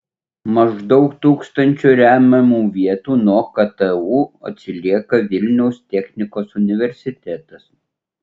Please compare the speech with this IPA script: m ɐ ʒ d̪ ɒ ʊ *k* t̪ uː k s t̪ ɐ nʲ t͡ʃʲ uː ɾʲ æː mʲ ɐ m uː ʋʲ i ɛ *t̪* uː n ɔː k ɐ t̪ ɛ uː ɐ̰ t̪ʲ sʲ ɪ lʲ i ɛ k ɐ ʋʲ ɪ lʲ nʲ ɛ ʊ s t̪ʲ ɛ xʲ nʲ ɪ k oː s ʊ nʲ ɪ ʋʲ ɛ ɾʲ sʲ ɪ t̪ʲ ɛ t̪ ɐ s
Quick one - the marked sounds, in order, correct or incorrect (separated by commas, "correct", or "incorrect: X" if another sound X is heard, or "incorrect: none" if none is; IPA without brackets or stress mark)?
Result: correct, correct